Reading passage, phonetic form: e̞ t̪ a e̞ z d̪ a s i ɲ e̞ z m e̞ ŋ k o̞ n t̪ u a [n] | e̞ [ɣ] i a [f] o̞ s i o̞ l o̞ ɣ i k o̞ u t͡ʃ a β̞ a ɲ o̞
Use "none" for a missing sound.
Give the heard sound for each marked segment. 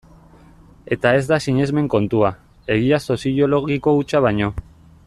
none, ɣ, s

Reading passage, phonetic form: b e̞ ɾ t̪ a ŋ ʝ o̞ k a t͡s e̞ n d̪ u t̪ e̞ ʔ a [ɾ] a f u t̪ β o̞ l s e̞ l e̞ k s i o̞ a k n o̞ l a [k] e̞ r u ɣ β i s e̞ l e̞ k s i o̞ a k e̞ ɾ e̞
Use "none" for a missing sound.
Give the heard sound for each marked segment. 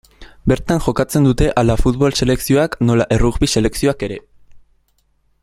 l, ʔ

